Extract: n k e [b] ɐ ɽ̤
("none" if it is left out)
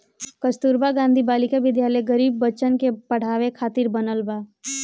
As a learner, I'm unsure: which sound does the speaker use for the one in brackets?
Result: p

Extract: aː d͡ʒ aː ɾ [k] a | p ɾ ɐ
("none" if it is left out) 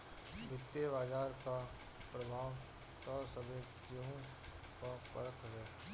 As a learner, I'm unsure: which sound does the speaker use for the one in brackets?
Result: k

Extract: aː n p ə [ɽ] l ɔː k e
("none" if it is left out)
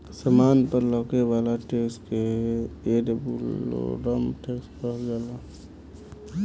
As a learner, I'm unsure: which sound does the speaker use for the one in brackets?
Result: ɾ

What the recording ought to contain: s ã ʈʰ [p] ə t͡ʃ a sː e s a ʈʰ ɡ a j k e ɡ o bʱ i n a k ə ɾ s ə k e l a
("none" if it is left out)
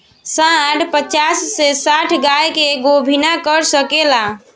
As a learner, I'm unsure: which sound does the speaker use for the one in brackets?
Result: p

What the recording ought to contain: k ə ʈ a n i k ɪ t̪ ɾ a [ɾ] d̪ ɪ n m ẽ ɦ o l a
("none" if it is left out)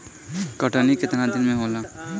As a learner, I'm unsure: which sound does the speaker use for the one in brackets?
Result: none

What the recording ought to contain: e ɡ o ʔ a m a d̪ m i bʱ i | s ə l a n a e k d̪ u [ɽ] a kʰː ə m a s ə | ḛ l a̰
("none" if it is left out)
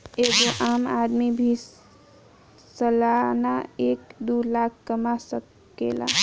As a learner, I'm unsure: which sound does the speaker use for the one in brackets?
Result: l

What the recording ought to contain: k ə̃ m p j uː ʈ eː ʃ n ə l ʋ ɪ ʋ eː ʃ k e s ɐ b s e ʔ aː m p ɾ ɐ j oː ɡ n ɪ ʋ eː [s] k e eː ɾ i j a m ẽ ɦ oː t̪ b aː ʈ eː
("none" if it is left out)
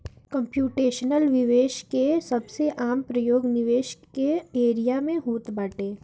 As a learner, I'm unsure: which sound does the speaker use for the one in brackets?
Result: ʃ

